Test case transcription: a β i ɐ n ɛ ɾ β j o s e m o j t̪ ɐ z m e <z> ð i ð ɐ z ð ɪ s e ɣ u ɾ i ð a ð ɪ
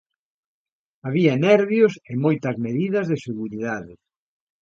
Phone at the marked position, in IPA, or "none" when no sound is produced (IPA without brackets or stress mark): none